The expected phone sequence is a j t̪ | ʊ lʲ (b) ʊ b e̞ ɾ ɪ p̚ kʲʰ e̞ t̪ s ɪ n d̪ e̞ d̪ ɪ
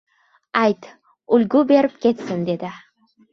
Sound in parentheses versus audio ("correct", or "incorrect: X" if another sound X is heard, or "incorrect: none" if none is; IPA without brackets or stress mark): incorrect: ɡ